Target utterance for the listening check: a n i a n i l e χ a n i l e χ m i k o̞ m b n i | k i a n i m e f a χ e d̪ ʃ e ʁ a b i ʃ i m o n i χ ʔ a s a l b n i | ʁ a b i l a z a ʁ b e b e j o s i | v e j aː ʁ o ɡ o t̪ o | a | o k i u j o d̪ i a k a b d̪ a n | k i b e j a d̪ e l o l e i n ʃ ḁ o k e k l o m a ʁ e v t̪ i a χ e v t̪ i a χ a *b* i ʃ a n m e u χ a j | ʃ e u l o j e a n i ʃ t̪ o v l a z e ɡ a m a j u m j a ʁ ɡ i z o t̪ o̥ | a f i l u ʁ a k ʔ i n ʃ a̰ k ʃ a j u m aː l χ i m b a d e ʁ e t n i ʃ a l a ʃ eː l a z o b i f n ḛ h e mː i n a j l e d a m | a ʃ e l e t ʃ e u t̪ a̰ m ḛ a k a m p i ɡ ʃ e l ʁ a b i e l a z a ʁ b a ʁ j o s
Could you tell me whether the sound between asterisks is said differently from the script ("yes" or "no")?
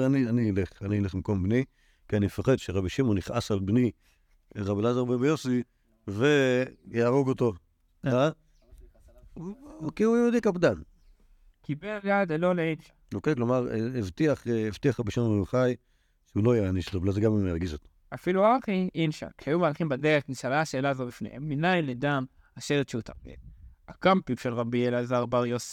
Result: no